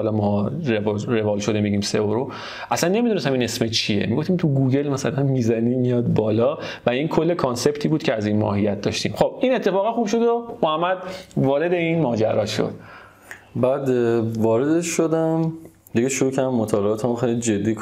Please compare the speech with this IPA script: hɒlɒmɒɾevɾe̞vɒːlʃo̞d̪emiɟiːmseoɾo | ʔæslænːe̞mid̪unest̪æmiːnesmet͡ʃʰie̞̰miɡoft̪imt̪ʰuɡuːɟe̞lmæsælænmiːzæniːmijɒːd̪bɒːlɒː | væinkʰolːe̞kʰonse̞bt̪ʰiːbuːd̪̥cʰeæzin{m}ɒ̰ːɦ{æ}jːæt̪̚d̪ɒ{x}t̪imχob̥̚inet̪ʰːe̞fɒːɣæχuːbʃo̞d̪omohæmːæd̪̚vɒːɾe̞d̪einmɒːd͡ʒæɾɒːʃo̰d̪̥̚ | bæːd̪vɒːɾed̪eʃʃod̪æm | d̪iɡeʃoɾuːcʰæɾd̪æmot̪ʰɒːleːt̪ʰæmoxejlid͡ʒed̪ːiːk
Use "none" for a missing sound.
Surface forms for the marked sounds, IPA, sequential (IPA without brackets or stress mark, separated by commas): m, i, ʃ